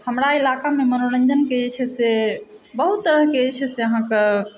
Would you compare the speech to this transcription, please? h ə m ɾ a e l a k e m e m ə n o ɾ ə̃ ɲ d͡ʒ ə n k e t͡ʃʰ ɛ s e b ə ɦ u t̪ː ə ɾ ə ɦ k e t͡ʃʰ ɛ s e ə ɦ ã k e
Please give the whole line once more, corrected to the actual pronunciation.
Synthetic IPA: h ə m ɾ a i l a k a m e m ə n o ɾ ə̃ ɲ d͡ʒ ə n k e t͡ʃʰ ɛ s e b ə ɦ u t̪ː ə ɾ ə ɦ k e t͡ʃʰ ɛ s e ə ɦ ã k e